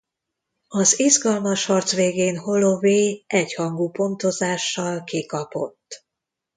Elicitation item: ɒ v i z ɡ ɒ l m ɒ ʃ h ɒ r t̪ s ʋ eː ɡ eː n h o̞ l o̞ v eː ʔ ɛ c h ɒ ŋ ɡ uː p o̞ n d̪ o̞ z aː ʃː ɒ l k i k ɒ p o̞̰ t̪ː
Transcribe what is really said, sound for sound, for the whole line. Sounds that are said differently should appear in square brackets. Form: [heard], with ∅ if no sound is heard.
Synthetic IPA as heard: ɒ [z] i z ɡ ɒ l m ɒ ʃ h ɒ r t̪ s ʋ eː ɡ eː n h o̞ l o̞ v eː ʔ ɛ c h ɒ ŋ ɡ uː p o̞ n [t̪] o̞ z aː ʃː ɒ l k i k ɒ p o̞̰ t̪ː